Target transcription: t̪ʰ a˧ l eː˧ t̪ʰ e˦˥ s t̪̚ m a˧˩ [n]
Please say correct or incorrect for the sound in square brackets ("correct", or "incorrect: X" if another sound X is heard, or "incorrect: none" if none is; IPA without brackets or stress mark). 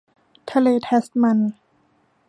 correct